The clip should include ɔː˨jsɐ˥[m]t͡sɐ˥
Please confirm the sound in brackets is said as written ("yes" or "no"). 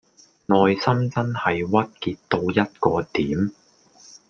yes